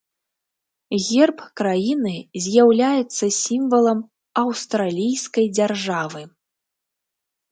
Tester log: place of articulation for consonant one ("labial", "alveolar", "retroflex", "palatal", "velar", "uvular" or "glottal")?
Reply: velar